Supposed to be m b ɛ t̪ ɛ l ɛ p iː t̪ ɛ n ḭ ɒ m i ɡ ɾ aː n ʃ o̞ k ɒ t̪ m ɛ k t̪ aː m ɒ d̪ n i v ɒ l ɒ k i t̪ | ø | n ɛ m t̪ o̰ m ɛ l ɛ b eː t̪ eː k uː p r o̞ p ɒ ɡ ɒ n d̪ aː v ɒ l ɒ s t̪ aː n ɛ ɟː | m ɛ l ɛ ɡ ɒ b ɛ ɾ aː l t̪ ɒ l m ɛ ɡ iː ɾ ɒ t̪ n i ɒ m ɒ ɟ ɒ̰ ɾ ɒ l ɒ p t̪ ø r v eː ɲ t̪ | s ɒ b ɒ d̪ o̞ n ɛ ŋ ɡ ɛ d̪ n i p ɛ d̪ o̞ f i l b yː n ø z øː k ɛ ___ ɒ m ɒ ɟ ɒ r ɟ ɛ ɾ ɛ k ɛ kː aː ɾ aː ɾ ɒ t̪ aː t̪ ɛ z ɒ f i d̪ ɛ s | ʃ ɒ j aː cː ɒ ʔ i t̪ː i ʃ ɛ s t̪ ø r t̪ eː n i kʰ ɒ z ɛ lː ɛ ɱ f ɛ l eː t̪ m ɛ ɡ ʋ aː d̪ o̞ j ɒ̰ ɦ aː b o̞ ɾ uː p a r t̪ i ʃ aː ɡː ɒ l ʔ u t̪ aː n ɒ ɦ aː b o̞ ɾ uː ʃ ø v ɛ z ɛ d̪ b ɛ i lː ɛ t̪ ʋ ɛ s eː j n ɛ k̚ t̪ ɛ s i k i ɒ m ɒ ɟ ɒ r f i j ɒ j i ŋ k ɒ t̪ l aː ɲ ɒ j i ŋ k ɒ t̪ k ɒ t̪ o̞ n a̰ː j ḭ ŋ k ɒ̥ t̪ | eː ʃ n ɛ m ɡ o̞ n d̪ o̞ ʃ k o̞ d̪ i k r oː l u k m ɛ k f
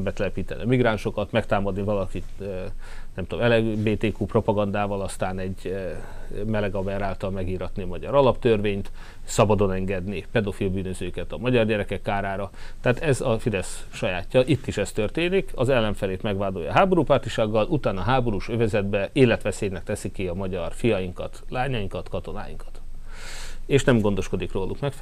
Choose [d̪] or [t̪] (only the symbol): t̪